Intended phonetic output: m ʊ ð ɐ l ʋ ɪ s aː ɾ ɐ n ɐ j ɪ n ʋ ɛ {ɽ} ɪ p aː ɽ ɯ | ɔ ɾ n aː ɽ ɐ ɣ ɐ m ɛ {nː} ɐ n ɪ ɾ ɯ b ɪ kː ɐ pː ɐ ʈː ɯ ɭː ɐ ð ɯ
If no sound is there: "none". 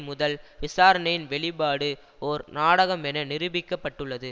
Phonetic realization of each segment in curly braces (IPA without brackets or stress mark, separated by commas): ɭ, n